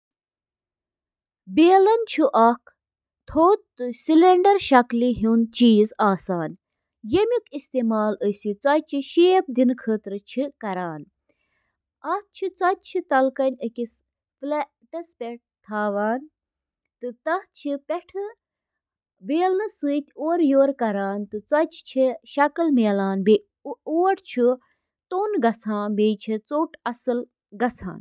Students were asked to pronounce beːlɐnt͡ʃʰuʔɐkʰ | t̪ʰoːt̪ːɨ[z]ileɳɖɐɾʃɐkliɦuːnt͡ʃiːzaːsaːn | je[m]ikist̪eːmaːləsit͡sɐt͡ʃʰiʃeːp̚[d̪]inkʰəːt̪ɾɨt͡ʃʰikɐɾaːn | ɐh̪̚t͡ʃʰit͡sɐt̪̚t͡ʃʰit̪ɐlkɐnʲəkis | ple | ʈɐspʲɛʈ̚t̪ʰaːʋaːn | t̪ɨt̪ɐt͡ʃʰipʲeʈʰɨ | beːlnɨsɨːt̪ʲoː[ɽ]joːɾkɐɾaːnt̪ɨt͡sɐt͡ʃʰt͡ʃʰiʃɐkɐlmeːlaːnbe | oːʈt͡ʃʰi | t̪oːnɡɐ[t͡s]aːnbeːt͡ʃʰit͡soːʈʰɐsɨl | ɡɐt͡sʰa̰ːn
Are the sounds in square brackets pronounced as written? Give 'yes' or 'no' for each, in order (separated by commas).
no, yes, yes, no, no